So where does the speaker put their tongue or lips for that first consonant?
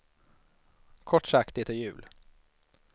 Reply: velum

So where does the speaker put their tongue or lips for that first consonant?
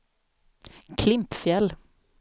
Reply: velum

